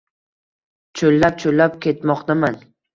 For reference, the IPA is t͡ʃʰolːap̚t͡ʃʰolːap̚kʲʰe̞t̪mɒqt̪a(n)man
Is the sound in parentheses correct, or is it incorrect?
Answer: incorrect: none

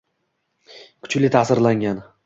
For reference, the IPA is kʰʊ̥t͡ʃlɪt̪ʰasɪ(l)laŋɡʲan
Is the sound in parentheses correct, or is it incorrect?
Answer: incorrect: ɾ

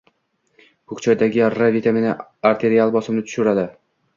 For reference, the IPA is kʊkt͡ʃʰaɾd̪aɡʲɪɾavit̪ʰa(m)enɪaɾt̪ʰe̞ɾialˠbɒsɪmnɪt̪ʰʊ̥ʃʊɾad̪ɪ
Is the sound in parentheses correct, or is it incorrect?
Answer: correct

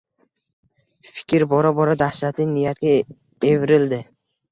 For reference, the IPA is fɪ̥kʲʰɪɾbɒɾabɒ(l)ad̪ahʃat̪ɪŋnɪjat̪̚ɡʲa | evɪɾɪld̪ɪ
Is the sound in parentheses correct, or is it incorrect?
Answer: incorrect: ɾ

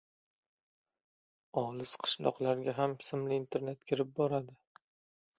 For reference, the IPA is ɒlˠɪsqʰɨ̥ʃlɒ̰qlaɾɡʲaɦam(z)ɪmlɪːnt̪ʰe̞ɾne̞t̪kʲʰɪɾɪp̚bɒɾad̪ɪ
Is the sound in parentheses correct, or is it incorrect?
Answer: incorrect: s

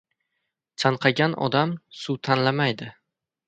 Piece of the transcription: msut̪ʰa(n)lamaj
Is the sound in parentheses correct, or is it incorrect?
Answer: correct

